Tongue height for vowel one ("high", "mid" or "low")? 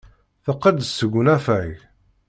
mid